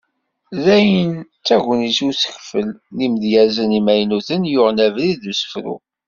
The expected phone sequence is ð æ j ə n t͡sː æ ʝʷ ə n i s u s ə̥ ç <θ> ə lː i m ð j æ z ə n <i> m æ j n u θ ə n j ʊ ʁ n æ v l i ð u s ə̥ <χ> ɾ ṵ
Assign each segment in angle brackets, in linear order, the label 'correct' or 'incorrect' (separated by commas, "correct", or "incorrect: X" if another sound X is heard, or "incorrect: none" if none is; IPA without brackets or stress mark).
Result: incorrect: f, correct, incorrect: f